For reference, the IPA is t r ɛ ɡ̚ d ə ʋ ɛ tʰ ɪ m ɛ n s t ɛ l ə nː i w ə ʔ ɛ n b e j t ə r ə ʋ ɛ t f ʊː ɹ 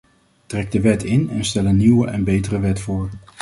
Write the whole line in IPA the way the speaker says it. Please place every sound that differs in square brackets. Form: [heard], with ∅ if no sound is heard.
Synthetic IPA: t r ɛ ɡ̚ d ə ʋ ɛ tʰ ɪ [n] ɛ n s t ɛ l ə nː i w ə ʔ ɛ n b e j t ə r ə ʋ ɛ t f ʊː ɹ

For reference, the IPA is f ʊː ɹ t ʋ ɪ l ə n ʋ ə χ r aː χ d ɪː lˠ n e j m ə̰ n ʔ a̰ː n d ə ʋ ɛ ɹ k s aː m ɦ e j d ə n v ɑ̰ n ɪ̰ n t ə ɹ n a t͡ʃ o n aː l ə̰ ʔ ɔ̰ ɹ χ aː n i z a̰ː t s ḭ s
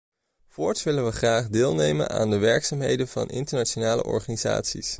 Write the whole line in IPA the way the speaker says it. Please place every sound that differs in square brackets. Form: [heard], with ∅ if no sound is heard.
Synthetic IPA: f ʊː ɹ t ʋ ɪ l ə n ʋ ə χ r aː χ d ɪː lˠ n e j m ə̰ n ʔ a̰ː n d ə ʋ ɛ ɹ k s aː m ɦ e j d ə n v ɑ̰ n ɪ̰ n t ə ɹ n a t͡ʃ o n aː l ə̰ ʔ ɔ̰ ɹ χ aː n i z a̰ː t s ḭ s

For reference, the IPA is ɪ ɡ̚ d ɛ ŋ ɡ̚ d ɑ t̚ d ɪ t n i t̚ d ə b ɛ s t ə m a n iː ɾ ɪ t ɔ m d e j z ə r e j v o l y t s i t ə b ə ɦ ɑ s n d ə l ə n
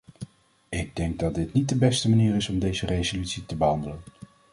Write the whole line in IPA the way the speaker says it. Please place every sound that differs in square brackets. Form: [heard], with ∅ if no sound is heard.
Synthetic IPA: ɪ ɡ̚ d ɛ ŋ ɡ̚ d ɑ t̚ d ɪ t n i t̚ d ə b ɛ s t ə m a n iː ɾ ɪ [s] ɔ m d e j z ə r e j [z] o l y t s i t ə b ə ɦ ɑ [∅] n d ə l ə n

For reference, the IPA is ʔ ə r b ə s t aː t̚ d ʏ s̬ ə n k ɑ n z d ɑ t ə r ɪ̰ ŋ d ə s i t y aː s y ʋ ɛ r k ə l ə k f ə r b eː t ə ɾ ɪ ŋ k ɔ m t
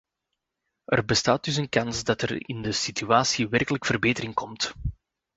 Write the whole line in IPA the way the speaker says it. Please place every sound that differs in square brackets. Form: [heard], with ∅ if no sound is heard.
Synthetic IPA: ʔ ə r b ə s t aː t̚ d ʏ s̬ ə n k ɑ n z d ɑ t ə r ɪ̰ [n] d ə s i t y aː s [i] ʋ ɛ r k ə l ə k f ə r b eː t ə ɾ ɪ ŋ k ɔ m t

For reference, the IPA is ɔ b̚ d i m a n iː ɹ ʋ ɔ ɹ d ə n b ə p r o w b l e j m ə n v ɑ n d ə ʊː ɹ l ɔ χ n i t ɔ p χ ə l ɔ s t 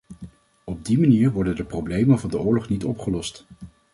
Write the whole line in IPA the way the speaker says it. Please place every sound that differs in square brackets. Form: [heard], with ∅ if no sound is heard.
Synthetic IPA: ɔ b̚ d i m a n iː ɹ ʋ ɔ ɹ d ə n [d] ə p r o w b l e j m ə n v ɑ n d ə ʊː ɹ l ɔ χ n i t ɔ p χ ə l ɔ s t

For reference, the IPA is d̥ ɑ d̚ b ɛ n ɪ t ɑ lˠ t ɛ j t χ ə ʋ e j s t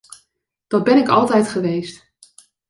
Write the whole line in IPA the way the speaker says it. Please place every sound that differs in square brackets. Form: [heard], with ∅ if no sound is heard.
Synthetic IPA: d̥ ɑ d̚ b ɛ n ɪ [k] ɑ lˠ t ɛ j t χ ə ʋ e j s t

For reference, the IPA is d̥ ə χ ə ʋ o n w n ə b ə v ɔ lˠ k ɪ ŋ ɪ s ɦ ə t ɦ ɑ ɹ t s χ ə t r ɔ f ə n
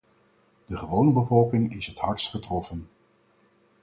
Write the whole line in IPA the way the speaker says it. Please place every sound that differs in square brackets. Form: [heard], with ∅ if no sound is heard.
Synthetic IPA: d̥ ə χ ə ʋ o [∅] w n ə b ə v ɔ lˠ k ɪ ŋ ɪ s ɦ ə t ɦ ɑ ɹ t s χ ə t r ɔ f ə n

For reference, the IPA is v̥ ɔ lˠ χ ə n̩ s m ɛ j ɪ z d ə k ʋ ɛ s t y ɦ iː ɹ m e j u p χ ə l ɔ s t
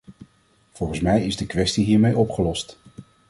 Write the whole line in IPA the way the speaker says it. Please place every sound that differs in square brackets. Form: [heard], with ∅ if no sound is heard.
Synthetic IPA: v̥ ɔ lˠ χ ə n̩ s m ɛ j ɪ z d ə k ʋ ɛ s t [i] ɦ iː ɹ m e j [ɔ] p χ ə l ɔ s t

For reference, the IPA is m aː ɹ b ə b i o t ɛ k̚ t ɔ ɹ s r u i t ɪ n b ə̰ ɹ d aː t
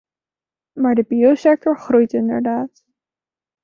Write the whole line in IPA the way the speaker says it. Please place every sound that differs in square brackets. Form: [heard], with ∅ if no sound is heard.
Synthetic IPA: m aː ɹ [d] ə b i o [s] ɛ k̚ t ɔ ɹ [χ] r u [j] t ɪ n [d] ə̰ ɹ d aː t

